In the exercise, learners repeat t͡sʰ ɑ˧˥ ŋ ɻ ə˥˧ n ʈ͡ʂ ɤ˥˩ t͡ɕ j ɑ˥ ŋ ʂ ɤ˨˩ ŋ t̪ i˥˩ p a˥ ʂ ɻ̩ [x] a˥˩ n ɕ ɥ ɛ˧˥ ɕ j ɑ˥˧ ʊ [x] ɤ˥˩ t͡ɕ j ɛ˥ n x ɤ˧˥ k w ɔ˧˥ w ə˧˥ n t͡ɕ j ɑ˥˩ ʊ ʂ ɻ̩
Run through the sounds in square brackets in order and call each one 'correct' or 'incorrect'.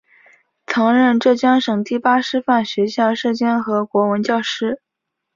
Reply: incorrect: f, incorrect: ʂ

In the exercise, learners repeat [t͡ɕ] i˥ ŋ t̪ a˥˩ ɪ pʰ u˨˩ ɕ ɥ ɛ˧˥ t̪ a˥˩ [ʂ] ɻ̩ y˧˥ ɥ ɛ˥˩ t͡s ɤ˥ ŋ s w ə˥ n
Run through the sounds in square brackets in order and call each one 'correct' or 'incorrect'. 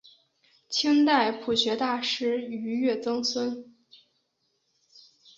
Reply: incorrect: t͡ɕʰ, correct

